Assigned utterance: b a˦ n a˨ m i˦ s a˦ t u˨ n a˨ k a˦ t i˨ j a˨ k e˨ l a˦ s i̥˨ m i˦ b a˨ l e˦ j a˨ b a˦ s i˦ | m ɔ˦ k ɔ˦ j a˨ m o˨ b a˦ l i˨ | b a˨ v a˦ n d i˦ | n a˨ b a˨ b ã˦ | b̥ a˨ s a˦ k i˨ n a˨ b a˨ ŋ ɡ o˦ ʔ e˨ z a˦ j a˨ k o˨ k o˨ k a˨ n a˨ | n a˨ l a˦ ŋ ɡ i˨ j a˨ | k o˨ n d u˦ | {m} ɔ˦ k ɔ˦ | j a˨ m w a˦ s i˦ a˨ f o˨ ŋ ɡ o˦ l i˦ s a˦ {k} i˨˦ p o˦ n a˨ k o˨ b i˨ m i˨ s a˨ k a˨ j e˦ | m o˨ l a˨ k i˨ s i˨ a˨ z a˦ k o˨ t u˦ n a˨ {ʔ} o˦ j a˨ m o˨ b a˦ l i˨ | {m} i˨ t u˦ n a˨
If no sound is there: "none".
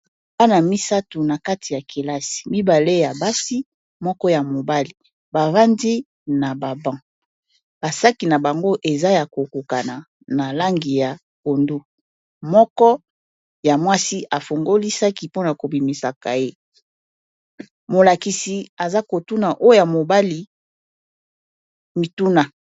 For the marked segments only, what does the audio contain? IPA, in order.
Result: m, k, ʔ, m

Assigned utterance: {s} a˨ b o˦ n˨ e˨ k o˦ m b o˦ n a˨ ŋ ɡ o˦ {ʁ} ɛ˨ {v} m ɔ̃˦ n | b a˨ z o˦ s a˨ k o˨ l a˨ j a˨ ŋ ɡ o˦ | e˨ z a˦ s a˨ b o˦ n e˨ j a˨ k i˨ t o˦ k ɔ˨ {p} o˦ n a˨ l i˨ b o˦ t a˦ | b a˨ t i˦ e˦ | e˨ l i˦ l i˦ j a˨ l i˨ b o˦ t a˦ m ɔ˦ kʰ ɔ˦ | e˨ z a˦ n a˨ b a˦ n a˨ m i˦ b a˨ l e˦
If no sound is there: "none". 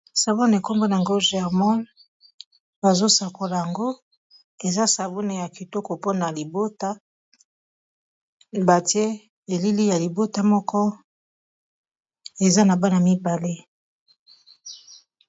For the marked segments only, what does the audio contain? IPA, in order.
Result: s, ʒ, ʁ, p

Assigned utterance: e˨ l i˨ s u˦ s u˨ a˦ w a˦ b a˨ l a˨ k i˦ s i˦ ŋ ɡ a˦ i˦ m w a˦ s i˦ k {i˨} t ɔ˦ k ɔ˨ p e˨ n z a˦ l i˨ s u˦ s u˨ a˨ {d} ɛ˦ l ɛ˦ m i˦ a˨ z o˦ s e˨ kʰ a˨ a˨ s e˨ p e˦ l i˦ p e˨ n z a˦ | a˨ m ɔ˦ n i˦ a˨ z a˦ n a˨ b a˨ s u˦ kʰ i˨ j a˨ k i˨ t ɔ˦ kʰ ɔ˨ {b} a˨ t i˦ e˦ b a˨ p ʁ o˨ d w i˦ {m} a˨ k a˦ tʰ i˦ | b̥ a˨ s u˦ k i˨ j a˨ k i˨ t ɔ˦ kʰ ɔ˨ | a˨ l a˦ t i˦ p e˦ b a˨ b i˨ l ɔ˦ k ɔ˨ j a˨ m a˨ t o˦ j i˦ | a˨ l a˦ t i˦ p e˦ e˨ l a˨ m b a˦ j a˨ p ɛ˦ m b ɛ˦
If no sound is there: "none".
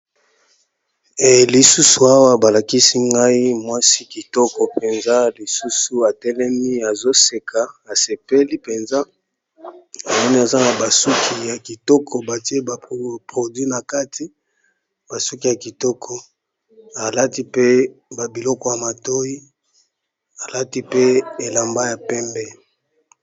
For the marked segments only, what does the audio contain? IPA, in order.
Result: i˨, t, b, n

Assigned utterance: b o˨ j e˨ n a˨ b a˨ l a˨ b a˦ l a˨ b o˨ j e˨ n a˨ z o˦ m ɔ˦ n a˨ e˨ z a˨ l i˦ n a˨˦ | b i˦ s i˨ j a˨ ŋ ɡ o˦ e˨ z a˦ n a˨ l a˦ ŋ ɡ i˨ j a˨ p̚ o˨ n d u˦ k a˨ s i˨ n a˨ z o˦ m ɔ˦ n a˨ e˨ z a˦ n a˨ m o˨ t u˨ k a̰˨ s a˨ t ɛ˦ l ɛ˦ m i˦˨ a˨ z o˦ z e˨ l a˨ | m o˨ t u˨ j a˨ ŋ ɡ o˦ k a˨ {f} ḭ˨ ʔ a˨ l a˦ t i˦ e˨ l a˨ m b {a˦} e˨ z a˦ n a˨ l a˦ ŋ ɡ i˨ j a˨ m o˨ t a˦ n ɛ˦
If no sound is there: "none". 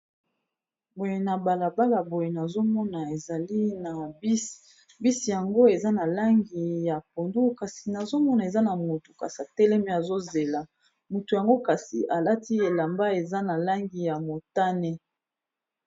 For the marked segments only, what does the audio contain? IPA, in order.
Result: s, a˦

